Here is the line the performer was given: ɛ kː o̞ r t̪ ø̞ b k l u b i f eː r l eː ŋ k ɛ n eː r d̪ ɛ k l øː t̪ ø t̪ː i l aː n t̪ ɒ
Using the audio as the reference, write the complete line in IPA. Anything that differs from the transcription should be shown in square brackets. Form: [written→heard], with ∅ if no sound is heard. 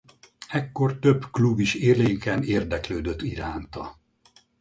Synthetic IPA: ɛ kː o̞ r t̪ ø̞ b k l u b i [f→ʃ] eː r l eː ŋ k ɛ n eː r d̪ ɛ k l øː [t̪→d̪] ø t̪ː i [l→ɾ] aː n t̪ ɒ